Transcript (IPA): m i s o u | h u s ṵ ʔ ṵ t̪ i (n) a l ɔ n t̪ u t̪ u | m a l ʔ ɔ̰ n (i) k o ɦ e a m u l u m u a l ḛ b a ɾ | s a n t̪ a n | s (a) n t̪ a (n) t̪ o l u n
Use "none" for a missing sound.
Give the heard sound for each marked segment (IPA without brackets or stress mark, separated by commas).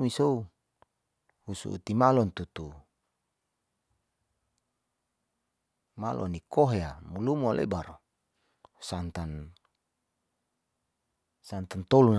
m, i, a, n